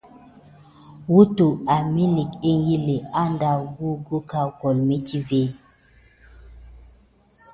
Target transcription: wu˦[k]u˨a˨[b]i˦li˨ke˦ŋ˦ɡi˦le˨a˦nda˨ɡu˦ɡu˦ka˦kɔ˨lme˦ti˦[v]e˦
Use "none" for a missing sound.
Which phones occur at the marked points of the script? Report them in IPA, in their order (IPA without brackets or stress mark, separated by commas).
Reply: t, m, v